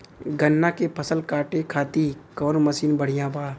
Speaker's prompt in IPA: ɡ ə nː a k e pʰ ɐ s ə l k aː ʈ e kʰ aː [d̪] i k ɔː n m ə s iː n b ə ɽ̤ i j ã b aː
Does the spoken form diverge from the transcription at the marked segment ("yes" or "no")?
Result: yes